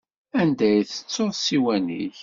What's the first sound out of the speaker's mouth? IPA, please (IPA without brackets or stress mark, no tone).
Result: æ